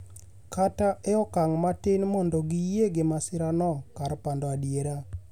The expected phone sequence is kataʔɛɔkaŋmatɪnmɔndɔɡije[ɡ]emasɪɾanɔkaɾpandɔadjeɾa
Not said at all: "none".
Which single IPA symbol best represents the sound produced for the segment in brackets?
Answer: ɡ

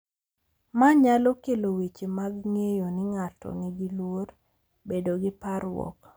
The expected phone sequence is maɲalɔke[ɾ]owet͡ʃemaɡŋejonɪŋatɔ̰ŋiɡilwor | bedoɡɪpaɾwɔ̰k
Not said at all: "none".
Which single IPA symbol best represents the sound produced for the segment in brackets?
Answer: l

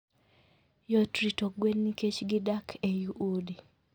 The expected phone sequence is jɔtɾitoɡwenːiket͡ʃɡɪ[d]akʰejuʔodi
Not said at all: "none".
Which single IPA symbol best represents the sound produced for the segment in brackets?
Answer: d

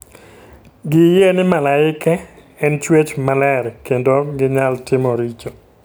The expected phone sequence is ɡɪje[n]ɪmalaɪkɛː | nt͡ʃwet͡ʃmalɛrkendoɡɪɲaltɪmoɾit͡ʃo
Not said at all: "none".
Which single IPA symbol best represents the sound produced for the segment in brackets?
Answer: n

